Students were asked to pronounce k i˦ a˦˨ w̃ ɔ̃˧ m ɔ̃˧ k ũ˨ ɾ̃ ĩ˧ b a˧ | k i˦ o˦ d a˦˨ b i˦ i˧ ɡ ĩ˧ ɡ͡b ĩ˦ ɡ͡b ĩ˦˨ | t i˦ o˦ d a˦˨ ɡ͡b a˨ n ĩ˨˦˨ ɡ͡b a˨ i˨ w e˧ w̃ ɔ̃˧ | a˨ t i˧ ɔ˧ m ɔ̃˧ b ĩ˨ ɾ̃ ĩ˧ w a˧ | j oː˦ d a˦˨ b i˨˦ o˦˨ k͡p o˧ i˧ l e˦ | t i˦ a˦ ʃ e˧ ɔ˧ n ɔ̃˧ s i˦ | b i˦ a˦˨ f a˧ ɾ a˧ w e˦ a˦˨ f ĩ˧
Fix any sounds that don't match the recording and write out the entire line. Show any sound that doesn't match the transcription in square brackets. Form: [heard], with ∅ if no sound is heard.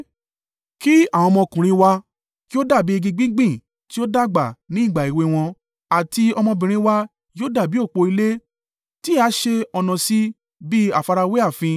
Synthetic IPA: k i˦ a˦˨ w̃ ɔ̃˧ m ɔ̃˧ k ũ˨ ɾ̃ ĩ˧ [w] a˧ | k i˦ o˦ d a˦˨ b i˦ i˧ ɡ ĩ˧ ɡ͡b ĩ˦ ɡ͡b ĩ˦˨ | t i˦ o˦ d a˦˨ ɡ͡b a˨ n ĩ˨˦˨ ɡ͡b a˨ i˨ w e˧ w̃ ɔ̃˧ | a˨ t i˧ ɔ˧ m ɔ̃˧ b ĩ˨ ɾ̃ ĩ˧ w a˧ | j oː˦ d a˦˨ b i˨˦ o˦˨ k͡p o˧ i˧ l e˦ | t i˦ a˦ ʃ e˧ ɔ˧ n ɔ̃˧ s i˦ | b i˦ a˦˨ f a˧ ɾ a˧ w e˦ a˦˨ f ĩ˧